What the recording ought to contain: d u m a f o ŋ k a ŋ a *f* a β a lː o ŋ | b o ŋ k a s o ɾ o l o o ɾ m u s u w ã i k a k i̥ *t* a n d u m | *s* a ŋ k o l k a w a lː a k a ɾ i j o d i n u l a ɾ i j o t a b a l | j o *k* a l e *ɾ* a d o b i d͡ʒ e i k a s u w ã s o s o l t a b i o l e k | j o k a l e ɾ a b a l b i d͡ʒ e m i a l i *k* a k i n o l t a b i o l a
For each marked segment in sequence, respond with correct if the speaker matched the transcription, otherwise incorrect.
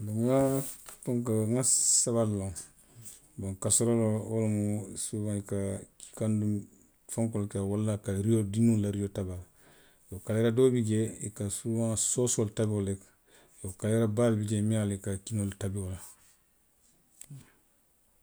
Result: incorrect, incorrect, incorrect, correct, correct, correct

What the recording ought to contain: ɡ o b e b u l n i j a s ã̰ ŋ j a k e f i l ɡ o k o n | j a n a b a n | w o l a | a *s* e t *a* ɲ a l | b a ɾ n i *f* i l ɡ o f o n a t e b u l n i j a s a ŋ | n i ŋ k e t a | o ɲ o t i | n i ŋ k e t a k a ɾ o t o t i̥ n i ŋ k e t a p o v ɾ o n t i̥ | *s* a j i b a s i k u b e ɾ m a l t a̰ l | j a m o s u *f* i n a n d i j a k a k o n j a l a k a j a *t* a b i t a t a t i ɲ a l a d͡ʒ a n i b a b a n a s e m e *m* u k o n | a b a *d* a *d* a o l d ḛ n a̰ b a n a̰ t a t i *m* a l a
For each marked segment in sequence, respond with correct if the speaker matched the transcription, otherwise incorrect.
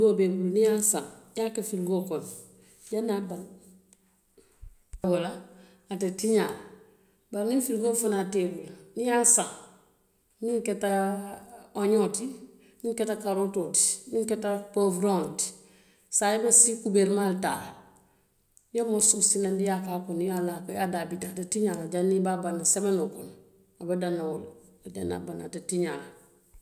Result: incorrect, incorrect, correct, correct, incorrect, incorrect, incorrect, correct, incorrect, incorrect

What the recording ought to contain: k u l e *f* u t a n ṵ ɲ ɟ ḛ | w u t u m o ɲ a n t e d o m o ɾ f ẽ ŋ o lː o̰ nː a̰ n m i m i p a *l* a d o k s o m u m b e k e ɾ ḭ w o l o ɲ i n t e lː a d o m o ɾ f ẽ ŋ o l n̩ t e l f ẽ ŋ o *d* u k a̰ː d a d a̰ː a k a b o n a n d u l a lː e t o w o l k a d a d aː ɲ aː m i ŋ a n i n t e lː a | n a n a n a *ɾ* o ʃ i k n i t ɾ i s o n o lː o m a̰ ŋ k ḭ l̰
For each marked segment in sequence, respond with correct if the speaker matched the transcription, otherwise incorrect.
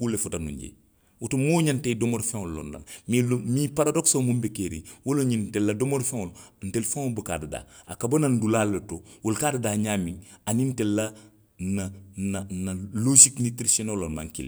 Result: correct, incorrect, incorrect, incorrect

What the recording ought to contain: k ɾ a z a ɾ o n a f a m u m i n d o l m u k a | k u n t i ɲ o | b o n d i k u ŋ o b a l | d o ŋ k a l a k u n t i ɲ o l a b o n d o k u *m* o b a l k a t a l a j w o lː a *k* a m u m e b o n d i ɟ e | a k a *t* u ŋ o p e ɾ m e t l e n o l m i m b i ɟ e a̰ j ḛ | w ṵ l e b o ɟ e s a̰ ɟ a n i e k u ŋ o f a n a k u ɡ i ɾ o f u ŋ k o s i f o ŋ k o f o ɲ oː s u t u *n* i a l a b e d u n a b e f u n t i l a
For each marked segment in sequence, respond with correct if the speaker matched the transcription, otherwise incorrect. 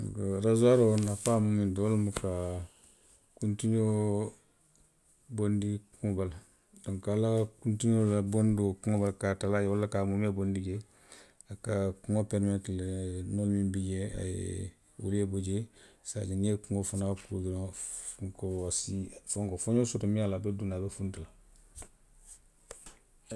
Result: incorrect, correct, incorrect, incorrect

